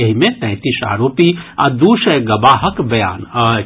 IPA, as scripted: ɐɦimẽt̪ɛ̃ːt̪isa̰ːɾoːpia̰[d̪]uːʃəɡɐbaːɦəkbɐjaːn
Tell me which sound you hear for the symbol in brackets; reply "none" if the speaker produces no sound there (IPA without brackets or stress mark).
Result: d̪